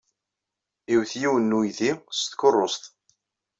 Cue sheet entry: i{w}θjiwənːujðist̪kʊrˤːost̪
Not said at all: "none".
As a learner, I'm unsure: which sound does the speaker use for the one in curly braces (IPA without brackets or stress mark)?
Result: w